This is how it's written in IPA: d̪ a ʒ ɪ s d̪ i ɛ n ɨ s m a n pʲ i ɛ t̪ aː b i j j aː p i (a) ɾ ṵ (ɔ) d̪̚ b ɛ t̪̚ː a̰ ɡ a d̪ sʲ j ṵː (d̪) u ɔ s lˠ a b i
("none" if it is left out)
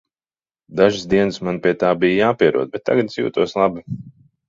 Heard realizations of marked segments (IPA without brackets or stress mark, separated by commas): ɛ, ɔ, t̪